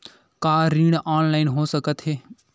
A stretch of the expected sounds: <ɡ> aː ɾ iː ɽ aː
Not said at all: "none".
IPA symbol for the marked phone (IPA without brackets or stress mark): k